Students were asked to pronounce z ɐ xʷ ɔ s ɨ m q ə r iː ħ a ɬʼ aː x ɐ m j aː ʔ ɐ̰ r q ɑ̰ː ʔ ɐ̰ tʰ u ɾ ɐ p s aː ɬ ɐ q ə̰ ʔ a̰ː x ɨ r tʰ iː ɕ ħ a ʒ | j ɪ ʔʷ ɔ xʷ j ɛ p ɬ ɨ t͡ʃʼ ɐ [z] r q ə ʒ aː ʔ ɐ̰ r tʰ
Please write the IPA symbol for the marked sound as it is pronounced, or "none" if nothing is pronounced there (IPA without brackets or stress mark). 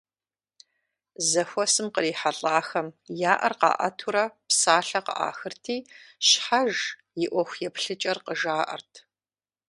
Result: none